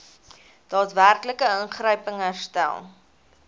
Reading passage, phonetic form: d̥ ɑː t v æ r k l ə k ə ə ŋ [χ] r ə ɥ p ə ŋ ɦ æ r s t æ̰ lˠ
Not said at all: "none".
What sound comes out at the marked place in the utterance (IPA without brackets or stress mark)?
χ